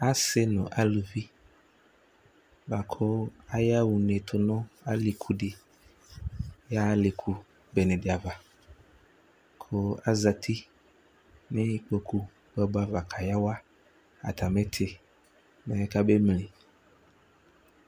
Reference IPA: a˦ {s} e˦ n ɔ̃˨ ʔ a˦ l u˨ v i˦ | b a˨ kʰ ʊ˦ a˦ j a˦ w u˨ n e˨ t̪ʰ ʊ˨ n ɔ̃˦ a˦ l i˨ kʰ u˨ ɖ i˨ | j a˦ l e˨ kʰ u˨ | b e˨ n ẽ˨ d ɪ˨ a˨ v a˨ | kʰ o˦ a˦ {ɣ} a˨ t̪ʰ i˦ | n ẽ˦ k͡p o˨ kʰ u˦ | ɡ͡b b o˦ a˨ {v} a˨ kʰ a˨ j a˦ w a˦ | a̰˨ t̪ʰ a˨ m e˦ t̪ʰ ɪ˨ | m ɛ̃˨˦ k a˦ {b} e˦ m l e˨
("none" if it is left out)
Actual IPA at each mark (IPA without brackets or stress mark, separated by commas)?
s, z, v, b